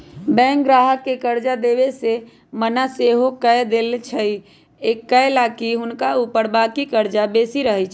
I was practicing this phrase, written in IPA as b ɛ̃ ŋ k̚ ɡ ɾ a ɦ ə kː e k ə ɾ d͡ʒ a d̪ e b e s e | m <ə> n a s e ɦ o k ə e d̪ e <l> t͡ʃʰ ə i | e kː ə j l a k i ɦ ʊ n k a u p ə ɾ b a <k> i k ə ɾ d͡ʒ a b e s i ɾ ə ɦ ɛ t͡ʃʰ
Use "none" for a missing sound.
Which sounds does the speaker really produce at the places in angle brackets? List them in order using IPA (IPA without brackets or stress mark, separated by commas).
ə, l, k